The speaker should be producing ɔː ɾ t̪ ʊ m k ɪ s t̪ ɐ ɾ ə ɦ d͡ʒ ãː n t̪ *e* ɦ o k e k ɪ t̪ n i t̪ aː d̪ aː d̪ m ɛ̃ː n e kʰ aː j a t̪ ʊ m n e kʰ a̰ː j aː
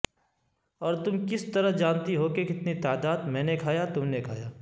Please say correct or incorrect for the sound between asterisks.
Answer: incorrect